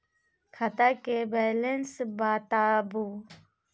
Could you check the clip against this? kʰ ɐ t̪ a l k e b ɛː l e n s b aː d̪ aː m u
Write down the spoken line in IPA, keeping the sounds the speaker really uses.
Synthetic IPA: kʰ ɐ t̪ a k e b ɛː l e n s b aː t̪ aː b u